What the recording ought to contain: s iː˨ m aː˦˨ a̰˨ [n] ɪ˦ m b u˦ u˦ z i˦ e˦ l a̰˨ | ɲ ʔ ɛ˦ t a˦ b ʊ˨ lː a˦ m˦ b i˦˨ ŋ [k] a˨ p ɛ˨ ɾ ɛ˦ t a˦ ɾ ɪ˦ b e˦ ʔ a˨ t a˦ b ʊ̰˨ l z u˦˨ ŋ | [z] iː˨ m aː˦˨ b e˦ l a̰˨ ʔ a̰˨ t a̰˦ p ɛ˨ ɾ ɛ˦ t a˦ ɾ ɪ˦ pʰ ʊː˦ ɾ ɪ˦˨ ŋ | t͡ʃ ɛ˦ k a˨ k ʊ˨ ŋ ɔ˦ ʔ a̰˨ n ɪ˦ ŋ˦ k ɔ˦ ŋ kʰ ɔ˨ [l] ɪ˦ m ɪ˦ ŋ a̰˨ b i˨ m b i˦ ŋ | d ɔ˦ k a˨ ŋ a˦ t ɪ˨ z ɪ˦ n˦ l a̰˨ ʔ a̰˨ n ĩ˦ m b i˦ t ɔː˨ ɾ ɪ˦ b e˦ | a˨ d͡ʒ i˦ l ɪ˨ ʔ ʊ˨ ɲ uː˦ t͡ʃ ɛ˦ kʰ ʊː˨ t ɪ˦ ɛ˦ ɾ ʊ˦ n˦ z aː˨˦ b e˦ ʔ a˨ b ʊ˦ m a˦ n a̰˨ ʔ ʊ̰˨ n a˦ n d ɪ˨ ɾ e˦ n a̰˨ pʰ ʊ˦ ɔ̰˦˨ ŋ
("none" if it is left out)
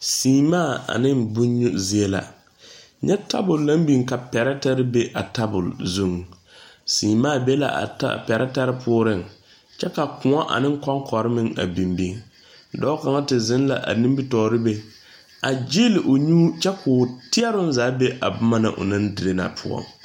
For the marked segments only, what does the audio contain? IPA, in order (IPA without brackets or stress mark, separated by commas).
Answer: n, k, s, ɾ